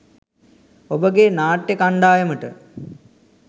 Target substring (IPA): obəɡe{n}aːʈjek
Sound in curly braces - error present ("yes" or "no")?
no